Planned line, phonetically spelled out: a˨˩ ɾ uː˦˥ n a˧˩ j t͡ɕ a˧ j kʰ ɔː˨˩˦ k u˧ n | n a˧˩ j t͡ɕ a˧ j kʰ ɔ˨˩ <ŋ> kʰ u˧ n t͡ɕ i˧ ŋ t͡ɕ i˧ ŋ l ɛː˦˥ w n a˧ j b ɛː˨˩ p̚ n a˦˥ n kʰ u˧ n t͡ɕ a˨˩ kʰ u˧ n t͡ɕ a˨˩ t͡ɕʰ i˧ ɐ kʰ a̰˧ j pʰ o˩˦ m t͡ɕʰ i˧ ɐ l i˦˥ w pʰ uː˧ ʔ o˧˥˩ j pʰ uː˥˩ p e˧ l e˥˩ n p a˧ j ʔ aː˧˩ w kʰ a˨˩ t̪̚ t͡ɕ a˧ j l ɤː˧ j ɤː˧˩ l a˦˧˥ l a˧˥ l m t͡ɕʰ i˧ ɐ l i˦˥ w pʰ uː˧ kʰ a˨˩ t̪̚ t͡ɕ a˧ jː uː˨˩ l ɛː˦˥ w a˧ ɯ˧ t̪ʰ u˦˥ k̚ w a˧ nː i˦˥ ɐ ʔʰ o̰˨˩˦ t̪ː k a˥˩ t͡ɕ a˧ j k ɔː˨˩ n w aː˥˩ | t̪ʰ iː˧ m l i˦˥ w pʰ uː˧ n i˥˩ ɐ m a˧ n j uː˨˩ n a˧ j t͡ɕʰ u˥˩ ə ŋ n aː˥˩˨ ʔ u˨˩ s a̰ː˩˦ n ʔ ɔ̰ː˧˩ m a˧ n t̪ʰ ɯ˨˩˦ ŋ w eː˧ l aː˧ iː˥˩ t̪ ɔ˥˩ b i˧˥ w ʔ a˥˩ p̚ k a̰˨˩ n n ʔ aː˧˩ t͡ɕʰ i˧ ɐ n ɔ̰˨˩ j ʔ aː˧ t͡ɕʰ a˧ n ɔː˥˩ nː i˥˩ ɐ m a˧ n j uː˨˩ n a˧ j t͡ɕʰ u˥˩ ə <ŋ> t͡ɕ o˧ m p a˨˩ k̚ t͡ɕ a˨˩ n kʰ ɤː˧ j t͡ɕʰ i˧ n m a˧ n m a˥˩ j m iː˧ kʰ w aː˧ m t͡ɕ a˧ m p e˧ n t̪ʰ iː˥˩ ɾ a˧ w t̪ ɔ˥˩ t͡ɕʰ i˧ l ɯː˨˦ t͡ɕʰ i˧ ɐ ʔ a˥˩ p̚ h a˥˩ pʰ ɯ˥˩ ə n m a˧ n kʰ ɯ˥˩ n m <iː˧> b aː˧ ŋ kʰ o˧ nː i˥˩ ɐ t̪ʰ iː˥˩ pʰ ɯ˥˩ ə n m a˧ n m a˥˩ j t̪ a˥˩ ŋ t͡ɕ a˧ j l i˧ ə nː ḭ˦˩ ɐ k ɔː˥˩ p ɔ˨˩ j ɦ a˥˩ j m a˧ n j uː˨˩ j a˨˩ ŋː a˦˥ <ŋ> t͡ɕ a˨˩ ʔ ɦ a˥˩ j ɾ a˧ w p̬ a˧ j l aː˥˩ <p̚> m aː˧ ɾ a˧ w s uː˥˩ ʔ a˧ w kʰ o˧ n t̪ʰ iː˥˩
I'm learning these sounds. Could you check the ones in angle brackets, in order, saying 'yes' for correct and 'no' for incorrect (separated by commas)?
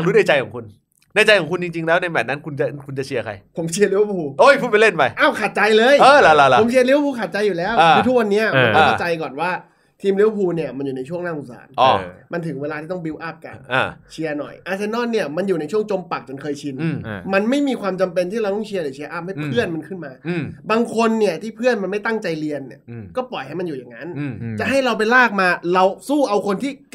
yes, yes, no, no, no